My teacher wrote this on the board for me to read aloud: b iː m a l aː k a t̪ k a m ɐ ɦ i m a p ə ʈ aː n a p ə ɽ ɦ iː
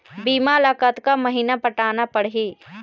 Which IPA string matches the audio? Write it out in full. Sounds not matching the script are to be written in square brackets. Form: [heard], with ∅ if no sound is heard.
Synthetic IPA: b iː m a l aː k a t̪ k a m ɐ ɦ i [n] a p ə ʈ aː n a p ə ɽ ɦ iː